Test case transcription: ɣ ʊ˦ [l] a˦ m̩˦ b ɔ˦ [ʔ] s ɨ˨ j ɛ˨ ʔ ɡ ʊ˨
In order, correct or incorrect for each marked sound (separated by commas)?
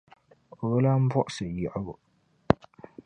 correct, correct